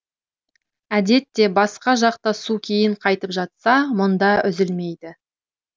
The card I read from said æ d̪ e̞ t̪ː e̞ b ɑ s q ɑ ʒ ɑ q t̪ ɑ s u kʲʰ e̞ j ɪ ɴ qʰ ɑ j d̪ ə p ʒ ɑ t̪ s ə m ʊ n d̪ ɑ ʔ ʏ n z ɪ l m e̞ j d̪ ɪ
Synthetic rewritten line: æ d̪ e̞ t̪ː e̞ b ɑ s q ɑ ʒ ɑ q t̪ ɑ s u kʲʰ e̞ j ɪ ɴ qʰ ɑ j t̪ ə p ʒ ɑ t̪ s ɑ m ʊ n d̪ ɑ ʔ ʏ z ɪ l m e̞ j d̪ ɪ